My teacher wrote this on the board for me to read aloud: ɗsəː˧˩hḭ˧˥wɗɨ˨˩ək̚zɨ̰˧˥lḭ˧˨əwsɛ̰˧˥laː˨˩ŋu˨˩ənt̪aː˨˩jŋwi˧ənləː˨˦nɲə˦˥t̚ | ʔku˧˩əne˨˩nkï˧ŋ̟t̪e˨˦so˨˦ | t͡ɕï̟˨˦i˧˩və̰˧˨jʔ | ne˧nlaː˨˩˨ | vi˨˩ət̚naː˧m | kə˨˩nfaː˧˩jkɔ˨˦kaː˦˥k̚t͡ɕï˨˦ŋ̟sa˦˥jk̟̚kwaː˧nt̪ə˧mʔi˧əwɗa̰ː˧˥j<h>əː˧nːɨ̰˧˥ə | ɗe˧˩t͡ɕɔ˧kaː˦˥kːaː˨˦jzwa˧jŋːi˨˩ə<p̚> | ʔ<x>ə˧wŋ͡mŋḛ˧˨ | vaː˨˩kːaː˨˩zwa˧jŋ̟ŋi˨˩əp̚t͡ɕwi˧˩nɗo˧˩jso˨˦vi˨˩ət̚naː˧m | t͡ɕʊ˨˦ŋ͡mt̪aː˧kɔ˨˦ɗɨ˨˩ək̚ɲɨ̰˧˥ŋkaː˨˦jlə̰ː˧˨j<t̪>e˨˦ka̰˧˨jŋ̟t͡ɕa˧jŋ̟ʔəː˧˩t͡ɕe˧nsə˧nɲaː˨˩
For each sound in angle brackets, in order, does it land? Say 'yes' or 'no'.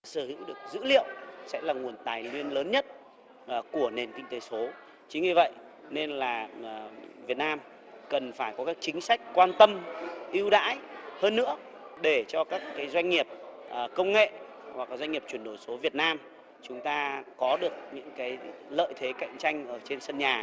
yes, yes, no, no

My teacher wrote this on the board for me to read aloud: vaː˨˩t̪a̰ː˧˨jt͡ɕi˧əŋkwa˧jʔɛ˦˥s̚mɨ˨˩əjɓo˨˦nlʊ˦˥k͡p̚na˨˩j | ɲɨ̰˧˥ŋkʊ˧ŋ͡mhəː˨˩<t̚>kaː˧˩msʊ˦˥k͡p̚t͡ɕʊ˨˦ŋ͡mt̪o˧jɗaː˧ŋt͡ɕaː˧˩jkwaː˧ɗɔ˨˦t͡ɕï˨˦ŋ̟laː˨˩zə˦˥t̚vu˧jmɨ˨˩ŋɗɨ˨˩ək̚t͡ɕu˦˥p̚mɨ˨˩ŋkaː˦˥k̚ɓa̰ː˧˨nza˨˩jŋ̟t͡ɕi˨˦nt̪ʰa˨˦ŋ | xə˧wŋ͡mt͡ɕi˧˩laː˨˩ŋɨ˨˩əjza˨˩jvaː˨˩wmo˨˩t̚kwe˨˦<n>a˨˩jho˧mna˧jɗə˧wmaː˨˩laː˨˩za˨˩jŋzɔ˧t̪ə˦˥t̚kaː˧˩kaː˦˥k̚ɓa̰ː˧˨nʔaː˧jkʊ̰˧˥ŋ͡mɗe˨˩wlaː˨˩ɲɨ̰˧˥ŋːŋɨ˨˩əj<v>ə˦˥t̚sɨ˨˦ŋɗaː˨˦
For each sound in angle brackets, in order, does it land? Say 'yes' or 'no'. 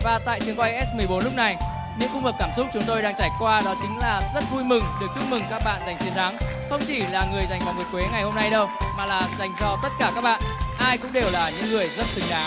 no, no, no

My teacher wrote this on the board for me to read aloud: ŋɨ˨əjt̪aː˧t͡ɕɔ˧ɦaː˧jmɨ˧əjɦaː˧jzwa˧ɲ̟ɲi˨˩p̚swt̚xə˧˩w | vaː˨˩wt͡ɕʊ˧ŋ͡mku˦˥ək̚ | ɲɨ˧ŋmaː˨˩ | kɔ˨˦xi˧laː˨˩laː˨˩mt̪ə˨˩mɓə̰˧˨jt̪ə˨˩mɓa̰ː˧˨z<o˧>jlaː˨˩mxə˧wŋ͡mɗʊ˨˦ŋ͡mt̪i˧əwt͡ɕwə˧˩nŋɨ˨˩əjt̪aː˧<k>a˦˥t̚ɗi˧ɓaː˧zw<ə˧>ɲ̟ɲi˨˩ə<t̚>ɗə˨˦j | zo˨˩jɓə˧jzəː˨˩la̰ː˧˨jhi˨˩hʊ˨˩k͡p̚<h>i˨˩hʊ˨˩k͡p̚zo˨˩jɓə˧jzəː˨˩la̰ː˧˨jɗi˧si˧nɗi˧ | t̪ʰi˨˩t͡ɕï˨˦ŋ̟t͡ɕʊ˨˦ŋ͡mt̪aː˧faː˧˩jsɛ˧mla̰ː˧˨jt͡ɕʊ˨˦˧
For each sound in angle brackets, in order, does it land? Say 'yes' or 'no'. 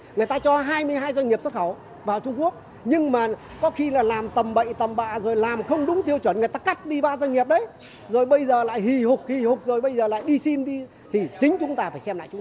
no, yes, no, no, yes

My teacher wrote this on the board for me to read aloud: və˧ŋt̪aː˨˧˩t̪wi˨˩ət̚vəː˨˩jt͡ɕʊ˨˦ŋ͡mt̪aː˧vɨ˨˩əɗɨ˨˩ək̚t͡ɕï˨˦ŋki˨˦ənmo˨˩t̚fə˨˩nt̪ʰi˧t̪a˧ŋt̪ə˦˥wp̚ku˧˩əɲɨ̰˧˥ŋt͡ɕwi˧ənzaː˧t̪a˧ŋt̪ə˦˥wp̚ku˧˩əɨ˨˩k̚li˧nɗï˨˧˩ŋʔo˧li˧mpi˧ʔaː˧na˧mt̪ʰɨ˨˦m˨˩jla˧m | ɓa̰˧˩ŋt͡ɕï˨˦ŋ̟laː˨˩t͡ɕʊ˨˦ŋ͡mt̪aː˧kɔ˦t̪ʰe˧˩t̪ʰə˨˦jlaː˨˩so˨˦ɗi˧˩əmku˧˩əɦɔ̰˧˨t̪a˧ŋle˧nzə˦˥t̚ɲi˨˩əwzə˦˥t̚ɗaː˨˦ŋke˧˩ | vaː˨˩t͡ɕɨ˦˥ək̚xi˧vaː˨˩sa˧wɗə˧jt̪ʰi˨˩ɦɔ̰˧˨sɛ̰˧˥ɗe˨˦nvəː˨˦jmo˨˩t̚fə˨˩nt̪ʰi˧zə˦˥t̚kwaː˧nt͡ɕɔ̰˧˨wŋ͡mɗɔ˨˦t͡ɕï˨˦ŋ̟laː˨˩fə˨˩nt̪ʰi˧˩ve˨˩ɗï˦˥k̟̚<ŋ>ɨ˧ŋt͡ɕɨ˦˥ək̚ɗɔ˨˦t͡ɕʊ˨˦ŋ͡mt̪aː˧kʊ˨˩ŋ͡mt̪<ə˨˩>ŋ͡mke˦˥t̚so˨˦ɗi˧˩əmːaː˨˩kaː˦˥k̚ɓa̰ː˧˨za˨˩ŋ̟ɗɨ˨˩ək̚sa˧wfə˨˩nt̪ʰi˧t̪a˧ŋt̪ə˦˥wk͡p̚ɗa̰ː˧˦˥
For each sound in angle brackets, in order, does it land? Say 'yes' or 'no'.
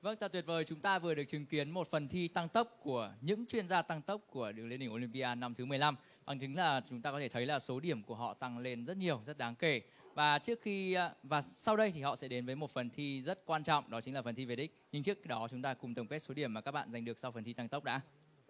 no, yes

